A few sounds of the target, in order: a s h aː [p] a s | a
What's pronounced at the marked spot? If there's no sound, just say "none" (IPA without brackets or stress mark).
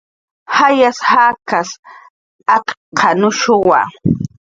k